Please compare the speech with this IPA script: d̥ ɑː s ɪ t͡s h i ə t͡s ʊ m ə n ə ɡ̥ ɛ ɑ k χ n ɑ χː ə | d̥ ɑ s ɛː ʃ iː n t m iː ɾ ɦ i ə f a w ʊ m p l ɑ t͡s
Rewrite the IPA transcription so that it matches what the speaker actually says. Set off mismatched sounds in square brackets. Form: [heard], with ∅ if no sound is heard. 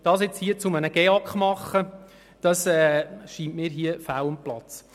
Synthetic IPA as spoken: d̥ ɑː s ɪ t͡s h i ə t͡s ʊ m ə n ə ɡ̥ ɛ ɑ k χ [m] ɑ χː ə | d̥ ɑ s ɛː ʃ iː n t m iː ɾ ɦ i ə f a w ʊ m p l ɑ t͡s